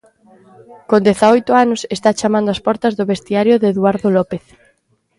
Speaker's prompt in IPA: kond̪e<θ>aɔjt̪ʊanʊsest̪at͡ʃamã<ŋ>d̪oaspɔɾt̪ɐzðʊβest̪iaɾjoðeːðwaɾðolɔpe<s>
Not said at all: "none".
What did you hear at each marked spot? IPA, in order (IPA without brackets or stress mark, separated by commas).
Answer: θ, n, θ